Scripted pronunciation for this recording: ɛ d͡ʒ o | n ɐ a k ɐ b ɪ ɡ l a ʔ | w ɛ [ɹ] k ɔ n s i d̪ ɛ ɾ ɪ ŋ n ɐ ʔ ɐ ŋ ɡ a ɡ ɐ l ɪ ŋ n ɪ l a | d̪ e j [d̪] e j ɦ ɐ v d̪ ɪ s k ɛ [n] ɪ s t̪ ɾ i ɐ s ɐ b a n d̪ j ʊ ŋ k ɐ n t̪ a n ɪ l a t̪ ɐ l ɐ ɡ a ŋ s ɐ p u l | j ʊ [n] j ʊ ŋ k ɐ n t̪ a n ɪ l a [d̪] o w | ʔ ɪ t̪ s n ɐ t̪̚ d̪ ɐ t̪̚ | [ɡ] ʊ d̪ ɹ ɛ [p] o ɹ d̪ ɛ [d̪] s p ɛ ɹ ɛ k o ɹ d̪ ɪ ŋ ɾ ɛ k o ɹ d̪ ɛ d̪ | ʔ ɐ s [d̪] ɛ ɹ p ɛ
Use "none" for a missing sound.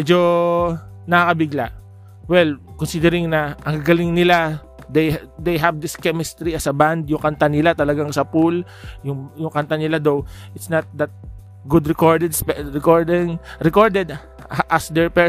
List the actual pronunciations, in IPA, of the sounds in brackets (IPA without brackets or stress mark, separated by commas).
l, d̪, m, ŋ, d̪, ɡ, k, d̪, d̪